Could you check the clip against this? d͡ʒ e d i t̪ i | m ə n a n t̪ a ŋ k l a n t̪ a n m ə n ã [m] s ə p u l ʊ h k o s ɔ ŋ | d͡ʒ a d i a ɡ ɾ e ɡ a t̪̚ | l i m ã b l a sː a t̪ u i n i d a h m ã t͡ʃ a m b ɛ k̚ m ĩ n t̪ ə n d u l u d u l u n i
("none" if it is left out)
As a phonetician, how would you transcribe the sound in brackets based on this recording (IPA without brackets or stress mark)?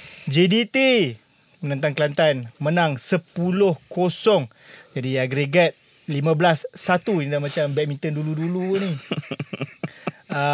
ŋ